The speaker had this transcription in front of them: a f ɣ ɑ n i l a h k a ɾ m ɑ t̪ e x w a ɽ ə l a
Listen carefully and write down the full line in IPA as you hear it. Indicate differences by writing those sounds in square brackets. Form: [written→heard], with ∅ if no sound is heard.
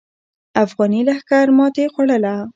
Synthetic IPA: a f ɣ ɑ n i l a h k a ɾ m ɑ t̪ e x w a ɽ ə l a